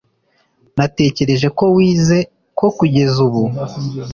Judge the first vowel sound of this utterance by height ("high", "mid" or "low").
low